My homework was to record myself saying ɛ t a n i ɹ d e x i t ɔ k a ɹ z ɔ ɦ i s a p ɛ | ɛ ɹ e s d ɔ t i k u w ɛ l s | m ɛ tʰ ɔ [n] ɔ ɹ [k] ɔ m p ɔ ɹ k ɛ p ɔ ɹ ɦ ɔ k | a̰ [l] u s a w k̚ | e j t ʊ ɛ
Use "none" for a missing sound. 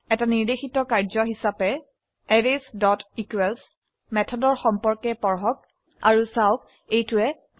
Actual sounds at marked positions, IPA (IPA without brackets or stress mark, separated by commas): d, x, ɹ